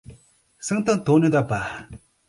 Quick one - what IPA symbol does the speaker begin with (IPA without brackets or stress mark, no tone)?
s